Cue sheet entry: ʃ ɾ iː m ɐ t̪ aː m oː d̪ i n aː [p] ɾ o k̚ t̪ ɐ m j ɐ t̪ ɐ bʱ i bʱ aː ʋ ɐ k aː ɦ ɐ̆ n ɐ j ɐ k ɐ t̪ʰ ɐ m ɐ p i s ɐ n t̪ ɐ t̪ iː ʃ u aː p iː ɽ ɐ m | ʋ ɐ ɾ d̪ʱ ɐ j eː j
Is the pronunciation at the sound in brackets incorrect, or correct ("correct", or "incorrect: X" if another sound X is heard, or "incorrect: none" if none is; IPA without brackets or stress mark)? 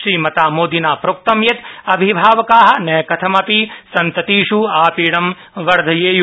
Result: correct